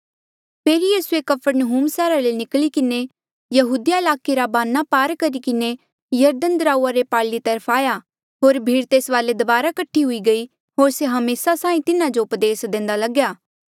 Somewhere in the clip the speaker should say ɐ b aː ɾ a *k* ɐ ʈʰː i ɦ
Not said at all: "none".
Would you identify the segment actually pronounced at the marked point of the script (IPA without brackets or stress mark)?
k